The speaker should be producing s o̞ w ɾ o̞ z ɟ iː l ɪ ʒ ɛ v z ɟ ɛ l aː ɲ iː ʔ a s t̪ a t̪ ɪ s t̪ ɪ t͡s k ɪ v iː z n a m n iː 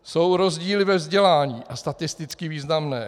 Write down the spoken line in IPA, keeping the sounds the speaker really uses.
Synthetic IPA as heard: s o̞ w ɾ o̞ z ɟ iː l ɪ v ɛ v z ɟ ɛ l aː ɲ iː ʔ a s t̪ a t̪ ɪ s t̪ ɪ t͡s k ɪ v iː z n a m n ɛː